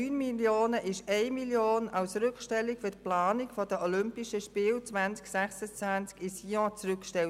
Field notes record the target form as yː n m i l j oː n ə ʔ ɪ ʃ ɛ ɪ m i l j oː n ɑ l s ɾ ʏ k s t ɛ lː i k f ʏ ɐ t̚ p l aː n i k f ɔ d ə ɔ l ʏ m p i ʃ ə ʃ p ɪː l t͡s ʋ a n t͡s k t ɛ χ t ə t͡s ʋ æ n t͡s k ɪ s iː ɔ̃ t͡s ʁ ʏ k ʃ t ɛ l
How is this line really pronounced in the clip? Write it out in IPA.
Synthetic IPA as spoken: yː n m i l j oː n ə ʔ ɪ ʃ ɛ ɪ m i l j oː n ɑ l s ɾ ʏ k ʃ t ɛ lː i k f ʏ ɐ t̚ p l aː n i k f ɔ d ə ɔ l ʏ m p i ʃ ə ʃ p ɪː l t͡s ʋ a n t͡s k s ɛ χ s ə t͡s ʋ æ n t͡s k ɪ s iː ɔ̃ t͡s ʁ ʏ k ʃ t ɛ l